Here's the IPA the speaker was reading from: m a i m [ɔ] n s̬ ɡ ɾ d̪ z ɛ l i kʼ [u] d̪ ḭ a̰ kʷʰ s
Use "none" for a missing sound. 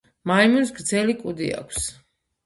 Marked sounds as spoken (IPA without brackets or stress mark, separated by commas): u, u